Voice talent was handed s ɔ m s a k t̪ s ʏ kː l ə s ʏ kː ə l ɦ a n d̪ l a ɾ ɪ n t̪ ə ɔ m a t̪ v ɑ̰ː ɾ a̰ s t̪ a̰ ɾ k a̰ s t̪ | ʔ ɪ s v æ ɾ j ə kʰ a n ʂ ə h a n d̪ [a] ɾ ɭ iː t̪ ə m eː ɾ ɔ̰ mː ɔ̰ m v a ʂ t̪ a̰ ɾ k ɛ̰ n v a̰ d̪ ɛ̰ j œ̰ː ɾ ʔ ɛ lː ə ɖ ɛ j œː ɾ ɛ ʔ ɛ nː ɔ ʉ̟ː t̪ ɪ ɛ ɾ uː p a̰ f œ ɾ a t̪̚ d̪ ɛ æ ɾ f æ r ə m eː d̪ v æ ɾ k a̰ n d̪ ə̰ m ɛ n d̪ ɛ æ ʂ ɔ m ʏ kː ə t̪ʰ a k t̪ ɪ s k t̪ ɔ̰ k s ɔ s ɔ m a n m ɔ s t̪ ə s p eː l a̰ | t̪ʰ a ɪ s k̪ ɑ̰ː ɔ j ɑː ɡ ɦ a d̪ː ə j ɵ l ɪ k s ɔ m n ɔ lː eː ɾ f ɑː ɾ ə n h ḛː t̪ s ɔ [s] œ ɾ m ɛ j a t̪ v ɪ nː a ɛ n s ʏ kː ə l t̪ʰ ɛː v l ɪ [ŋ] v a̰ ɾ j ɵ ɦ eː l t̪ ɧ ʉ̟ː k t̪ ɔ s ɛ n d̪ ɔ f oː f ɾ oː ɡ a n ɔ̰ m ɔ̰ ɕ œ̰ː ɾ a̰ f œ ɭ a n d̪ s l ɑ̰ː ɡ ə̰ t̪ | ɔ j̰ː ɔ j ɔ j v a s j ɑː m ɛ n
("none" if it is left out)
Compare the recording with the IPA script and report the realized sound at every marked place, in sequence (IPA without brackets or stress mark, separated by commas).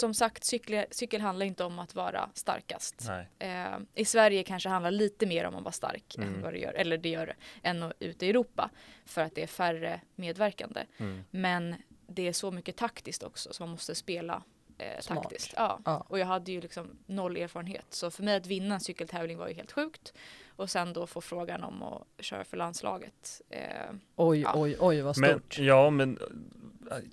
a, f, ŋ